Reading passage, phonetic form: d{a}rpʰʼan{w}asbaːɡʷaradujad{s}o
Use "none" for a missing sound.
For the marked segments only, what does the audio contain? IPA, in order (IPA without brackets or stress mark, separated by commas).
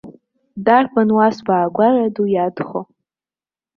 a, w, χ